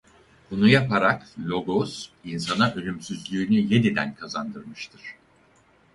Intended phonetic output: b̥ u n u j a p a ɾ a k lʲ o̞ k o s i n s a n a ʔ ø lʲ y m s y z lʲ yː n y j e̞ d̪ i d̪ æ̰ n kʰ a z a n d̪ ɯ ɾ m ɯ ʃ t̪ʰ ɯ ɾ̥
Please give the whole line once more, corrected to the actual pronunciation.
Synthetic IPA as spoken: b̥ u n u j a p a ɾ a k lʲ o̞ ɡ o s i n s a n a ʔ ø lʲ y m s y z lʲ yː n y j e̞ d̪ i d̪ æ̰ n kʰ a z a n d̪ ɯ ɾ m ɯ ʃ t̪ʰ ɯ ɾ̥